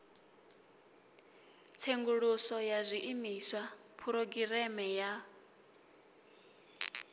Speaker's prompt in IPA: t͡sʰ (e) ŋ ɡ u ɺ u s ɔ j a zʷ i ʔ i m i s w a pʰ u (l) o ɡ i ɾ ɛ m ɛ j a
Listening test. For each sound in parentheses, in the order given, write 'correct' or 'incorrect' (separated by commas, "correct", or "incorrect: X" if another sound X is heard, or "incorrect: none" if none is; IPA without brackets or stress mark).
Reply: correct, incorrect: ɾ